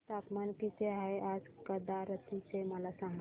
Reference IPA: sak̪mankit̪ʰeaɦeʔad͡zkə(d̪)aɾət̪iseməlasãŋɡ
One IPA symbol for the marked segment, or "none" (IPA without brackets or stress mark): d̪